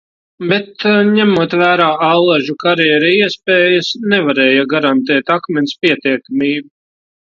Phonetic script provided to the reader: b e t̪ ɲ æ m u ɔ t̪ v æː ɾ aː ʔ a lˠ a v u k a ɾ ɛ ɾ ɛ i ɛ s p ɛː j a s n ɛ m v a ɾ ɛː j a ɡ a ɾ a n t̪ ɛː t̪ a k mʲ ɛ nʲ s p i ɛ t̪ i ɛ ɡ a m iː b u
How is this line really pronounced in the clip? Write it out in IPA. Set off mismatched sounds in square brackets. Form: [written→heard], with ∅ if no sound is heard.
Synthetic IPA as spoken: b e t̪ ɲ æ m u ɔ t̪ v æː ɾ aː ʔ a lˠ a [v→ʒ] u k a ɾ ɛ ɾ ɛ i ɛ s p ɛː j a s n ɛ [m→∅] v a ɾ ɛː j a ɡ a ɾ a n t̪ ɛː t̪ a k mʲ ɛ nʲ s p i ɛ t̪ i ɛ [ɡ→k] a m iː b u